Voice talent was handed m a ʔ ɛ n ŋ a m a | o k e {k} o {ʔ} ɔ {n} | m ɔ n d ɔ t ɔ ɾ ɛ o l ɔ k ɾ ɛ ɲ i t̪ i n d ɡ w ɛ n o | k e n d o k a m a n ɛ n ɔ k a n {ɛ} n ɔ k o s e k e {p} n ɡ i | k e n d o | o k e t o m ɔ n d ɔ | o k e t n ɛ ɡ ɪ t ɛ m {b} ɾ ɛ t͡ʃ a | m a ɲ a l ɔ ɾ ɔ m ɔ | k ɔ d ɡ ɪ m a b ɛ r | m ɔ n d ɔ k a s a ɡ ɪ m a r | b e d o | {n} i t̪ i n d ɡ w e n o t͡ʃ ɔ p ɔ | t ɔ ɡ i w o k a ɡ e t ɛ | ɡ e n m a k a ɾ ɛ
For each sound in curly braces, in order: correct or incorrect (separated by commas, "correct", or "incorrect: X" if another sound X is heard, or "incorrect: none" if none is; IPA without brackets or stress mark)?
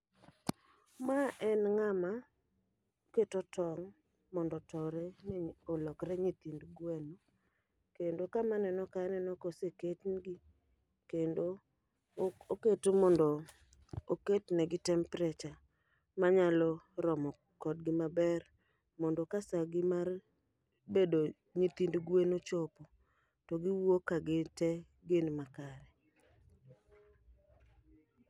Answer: incorrect: t, incorrect: t, incorrect: ŋ, correct, incorrect: t, incorrect: p, incorrect: ɲ